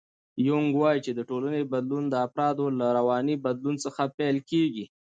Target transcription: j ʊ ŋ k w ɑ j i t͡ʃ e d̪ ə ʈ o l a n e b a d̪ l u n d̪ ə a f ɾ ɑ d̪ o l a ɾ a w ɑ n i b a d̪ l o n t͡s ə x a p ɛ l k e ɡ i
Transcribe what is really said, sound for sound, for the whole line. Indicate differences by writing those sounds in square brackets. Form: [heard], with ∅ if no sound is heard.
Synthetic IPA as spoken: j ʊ ŋ [ɡ] w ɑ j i t͡ʃ e d̪ ə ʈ o l a n e b a d̪ l u n d̪ ə a f ɾ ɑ d̪ o l a ɾ a w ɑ n i b a d̪ l [u] n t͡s ə x a p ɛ l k e ɡ i